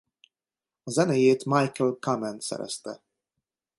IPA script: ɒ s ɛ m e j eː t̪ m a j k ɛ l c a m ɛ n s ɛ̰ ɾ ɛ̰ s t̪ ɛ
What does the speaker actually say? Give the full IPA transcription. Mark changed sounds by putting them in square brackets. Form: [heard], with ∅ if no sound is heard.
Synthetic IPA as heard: ɒ [z] ɛ [n] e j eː t̪ m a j k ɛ l [k] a m ɛ n s ɛ̰ ɾ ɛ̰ s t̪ ɛ